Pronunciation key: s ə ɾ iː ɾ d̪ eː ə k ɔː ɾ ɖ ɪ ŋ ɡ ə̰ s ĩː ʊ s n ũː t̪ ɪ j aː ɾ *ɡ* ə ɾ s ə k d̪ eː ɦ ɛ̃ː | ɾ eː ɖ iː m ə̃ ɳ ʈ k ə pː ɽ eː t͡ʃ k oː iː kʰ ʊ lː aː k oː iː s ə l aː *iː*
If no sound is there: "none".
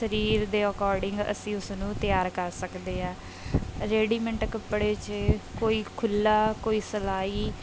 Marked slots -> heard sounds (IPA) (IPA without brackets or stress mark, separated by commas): k, iː